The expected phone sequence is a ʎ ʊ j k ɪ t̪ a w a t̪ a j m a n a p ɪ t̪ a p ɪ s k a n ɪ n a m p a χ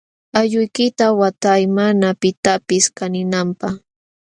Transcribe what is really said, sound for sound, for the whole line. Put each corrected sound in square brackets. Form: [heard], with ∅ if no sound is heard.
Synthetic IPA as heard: a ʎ ʊ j k ɪ t̪ a w a t̪ a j m a n a p ɪ t̪ a p ɪ s k a n ɪ n a m p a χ